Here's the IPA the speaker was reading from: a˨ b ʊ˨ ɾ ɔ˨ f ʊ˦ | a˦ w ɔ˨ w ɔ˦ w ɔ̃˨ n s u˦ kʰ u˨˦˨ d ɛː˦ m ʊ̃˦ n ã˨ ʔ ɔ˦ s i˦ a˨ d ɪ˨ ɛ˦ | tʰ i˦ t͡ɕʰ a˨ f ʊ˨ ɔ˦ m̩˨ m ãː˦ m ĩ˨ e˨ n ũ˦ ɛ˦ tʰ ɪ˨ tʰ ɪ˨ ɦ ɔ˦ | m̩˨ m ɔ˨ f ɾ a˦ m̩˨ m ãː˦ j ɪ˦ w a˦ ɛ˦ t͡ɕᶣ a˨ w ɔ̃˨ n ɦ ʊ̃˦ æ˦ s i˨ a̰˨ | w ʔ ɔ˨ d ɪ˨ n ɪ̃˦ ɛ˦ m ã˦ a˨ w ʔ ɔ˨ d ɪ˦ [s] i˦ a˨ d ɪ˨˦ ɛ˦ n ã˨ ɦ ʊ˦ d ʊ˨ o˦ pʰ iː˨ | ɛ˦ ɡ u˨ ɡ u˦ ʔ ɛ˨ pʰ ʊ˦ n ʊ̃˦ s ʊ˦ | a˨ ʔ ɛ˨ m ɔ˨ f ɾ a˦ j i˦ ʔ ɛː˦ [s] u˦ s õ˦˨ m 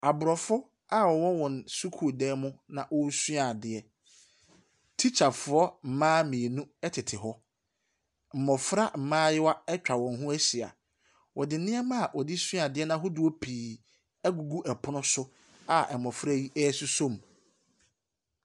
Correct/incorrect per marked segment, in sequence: correct, correct

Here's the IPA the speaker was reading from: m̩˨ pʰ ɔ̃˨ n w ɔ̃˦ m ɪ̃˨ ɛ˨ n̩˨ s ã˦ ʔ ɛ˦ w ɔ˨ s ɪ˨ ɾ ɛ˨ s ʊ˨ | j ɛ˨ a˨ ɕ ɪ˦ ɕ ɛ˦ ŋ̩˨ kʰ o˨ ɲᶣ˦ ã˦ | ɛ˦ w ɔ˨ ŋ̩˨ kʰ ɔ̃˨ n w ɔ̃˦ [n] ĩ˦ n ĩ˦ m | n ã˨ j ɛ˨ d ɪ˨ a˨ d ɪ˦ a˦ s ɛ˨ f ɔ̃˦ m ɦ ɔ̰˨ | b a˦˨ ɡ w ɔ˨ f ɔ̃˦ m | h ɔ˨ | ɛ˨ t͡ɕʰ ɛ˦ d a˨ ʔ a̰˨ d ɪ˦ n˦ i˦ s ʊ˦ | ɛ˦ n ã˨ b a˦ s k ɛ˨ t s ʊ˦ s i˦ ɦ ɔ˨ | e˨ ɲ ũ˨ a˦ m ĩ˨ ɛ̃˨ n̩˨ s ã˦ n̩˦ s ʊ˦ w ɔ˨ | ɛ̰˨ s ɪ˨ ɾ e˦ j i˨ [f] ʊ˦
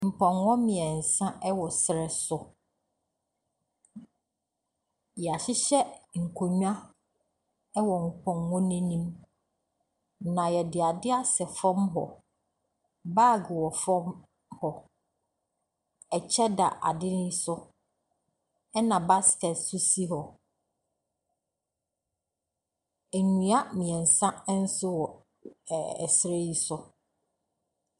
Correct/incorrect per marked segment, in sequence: correct, incorrect

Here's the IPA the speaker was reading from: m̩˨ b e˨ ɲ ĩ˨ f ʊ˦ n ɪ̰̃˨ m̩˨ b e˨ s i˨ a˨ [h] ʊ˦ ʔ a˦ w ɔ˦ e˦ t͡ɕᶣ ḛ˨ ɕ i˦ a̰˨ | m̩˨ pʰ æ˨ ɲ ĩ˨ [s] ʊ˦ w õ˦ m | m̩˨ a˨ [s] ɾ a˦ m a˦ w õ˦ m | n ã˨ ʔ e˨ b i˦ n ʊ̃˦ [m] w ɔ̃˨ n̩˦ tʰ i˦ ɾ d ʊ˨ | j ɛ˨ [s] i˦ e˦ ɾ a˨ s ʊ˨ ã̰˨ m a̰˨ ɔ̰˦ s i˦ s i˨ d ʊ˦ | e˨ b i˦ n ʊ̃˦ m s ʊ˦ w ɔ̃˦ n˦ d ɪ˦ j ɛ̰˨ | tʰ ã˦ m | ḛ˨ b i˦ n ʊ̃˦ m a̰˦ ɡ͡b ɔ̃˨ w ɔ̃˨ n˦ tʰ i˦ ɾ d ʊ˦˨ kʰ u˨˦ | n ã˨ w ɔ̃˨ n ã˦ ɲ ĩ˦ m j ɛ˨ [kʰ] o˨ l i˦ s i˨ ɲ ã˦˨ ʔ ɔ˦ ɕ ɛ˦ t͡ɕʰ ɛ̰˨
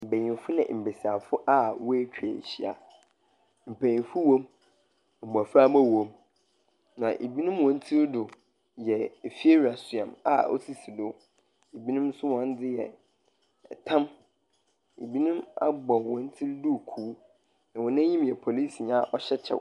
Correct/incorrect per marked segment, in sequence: incorrect, incorrect, incorrect, correct, incorrect, incorrect

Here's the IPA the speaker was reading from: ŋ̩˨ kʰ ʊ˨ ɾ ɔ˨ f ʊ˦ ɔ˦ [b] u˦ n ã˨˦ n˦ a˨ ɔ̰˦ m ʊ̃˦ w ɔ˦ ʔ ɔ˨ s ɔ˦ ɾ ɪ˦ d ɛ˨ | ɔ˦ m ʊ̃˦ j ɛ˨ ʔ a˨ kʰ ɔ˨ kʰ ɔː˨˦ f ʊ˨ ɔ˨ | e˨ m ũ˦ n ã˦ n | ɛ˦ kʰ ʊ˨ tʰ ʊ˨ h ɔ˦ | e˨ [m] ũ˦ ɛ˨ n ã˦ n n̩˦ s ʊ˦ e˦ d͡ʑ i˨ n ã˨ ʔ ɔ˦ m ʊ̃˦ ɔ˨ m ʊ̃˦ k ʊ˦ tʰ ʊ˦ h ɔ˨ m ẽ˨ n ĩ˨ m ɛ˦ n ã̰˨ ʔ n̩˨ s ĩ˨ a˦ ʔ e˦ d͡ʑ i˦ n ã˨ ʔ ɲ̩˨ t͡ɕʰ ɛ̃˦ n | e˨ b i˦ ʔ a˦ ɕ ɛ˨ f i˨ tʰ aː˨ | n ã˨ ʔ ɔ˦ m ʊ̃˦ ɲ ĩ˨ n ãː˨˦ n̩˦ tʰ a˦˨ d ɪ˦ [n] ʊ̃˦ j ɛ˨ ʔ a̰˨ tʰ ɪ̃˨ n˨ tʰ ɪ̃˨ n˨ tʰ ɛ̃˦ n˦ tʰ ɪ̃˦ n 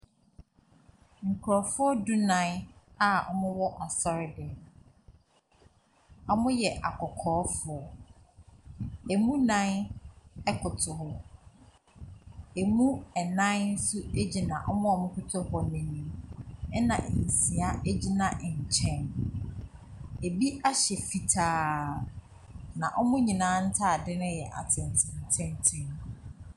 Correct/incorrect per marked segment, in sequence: incorrect, correct, correct

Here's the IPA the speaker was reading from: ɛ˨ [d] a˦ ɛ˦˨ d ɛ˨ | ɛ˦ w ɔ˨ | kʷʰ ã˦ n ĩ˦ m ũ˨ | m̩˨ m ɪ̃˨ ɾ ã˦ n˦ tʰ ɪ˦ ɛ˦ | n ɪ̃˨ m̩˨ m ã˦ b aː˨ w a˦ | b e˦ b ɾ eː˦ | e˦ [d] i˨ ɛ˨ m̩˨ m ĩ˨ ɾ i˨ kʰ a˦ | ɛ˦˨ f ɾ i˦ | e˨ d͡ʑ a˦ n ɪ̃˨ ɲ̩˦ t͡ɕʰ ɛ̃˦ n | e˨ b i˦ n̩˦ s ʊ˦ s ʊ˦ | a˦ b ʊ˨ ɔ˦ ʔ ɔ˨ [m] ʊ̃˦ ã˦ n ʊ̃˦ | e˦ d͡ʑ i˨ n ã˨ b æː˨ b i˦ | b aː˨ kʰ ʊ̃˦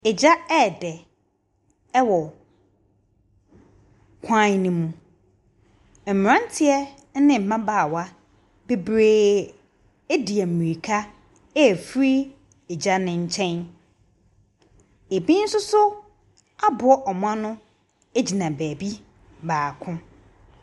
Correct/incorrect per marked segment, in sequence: incorrect, correct, correct

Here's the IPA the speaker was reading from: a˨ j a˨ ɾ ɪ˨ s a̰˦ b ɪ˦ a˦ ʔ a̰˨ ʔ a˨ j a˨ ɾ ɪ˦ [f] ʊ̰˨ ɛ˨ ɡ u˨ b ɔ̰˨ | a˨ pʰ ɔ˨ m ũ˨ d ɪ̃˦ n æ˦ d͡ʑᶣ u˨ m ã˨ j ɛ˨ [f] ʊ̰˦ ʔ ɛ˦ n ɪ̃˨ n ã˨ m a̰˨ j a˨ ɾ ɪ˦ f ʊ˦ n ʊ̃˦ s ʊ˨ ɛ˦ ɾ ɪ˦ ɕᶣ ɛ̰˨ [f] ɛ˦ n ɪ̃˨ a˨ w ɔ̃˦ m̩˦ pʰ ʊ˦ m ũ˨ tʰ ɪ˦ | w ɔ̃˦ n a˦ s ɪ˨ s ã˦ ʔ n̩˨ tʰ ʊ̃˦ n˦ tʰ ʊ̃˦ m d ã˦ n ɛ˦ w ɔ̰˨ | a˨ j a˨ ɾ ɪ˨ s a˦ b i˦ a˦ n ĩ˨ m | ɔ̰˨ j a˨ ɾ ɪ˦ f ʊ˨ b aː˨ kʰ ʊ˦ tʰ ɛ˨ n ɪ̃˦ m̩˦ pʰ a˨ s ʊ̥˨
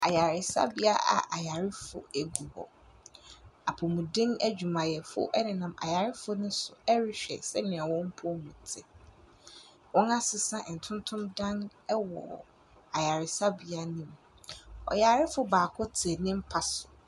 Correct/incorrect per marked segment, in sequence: correct, correct, incorrect

